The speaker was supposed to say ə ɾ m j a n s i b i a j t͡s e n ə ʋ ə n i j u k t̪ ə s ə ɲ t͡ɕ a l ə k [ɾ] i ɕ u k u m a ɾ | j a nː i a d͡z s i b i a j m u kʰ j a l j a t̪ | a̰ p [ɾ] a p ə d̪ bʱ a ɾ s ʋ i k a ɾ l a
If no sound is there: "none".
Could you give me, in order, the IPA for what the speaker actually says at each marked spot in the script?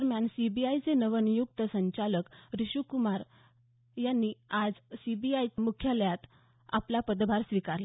ɾ, l

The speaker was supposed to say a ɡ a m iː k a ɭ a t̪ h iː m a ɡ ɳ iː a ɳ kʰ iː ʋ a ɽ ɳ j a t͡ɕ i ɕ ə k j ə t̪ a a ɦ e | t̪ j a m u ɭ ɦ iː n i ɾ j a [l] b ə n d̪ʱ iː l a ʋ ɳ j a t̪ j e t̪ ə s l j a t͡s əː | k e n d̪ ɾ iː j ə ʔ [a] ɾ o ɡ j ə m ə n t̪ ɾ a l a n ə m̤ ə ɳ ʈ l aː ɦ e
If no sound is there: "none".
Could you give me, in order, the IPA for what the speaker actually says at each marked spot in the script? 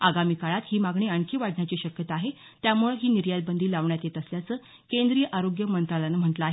l, a

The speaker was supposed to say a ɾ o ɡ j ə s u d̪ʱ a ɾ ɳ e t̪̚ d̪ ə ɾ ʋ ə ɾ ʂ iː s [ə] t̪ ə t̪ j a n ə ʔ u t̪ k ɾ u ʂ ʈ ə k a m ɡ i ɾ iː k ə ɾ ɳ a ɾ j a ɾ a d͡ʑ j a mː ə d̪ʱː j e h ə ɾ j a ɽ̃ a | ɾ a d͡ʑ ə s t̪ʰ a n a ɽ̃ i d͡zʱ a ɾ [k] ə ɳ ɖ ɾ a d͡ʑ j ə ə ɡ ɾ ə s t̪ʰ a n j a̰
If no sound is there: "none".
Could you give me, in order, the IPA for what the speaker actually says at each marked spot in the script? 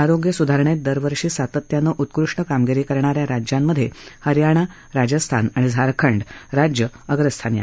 a, kʰ

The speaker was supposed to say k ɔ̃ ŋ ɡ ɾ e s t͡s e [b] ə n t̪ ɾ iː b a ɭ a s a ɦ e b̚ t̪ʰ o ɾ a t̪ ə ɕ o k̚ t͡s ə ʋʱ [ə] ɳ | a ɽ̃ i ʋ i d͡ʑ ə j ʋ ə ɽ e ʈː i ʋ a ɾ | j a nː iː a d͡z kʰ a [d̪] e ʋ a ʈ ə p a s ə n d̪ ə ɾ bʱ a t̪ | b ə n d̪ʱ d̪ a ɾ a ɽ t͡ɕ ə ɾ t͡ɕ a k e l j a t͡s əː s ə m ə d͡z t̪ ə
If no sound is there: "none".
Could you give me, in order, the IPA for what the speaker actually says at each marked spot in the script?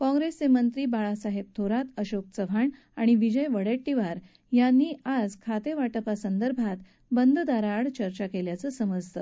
m, a, t̪

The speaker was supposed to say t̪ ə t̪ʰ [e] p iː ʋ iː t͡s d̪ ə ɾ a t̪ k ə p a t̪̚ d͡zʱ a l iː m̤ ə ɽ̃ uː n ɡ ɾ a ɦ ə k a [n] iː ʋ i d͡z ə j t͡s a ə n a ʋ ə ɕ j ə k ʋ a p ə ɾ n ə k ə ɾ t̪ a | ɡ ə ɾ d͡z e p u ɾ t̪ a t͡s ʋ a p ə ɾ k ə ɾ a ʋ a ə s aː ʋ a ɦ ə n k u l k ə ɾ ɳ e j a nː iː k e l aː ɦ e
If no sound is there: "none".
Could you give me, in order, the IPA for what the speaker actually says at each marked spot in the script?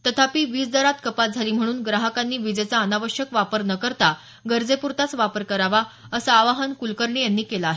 a, nː

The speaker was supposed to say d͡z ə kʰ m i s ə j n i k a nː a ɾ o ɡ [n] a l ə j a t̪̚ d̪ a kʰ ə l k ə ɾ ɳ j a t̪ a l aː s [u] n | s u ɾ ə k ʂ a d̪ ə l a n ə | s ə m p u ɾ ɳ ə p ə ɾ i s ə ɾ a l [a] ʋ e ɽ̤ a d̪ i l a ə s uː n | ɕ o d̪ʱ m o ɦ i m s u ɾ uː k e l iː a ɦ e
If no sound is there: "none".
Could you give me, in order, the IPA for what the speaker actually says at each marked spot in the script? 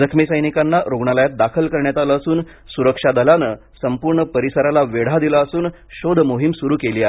ɳ, uː, a

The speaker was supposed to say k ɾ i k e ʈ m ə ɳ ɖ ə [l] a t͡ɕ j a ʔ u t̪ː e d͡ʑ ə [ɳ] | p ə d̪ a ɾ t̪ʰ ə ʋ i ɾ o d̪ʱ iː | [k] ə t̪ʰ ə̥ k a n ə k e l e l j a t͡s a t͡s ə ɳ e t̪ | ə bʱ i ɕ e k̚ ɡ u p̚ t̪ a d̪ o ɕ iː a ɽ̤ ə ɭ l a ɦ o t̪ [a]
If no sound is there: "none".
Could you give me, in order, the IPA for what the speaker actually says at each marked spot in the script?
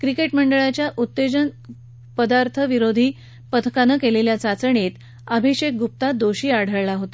ɭ, n, p, a

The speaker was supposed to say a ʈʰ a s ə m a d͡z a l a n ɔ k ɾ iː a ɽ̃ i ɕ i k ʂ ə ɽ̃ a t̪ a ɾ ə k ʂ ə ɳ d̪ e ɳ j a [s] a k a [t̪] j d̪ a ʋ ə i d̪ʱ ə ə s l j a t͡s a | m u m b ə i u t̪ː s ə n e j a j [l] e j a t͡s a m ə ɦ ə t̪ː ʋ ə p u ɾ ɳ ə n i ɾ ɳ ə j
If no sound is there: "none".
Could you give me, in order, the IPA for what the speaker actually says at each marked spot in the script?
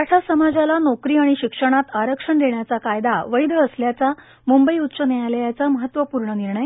t͡s, none, l

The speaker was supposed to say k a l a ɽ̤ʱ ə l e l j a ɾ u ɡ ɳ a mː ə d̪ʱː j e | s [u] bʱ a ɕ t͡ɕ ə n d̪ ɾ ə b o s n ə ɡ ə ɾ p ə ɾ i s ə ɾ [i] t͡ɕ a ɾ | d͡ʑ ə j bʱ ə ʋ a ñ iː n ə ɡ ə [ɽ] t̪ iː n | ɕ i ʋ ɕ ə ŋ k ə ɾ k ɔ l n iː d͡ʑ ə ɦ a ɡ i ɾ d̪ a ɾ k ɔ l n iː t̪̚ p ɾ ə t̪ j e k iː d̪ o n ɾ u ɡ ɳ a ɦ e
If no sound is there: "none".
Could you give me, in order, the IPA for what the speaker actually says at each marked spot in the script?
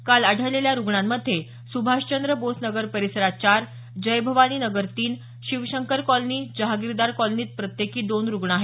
u, a, ɾ

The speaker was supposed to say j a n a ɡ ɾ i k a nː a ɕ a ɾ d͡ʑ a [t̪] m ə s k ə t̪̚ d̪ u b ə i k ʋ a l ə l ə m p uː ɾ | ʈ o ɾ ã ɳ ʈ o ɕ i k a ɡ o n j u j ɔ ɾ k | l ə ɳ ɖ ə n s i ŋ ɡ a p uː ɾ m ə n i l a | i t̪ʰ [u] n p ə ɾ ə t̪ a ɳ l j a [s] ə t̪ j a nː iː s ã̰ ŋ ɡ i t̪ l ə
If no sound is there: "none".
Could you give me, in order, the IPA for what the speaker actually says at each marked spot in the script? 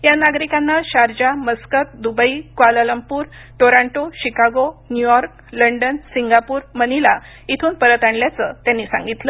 none, uː, t͡s

